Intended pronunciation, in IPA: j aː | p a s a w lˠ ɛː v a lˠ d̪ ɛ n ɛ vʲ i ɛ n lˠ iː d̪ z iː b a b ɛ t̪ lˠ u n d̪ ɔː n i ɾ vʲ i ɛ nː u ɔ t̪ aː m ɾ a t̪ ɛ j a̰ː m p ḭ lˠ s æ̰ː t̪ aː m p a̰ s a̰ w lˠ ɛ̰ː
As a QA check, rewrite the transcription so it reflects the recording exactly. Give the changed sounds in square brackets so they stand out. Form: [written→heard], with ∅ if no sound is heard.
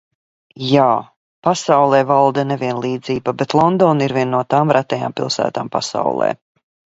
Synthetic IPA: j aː | p a s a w lˠ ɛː v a lˠ d̪ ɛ n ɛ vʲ i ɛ n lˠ iː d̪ z iː b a b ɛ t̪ lˠ [u→ɔ] n d̪ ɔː n i ɾ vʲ i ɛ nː u ɔ t̪ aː m ɾ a t̪ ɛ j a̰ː m p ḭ lˠ s æ̰ː t̪ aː m p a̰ s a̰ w lˠ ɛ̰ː